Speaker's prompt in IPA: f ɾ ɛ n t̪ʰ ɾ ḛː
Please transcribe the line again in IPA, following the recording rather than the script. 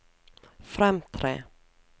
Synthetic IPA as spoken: f ɾ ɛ m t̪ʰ ɾ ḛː